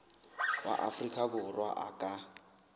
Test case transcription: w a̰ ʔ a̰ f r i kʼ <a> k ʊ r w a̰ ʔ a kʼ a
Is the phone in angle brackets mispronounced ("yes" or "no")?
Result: no